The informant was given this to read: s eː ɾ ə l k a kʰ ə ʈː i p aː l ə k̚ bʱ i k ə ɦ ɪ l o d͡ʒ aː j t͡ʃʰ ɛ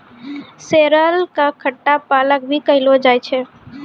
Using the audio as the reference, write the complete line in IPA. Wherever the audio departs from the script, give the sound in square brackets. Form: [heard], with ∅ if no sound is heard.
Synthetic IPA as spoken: s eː ɾ ə l k a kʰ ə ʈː [a] p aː l ə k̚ bʱ i k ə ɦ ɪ l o d͡ʒ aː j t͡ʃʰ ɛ